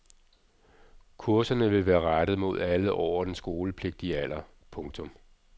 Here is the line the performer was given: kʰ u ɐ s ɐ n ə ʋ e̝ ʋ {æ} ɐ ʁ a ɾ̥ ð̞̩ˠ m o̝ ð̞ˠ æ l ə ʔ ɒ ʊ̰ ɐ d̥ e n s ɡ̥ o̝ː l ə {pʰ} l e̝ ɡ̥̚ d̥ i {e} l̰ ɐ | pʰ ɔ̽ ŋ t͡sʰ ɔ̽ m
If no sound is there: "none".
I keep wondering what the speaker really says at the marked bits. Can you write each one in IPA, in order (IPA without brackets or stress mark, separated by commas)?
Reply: æː, pʰ, æ